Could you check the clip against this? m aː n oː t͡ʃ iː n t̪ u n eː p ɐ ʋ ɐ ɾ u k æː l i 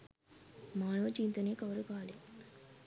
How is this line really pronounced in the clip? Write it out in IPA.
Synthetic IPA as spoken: m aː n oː t͡ʃ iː n t̪ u n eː k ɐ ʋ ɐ ɾ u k aː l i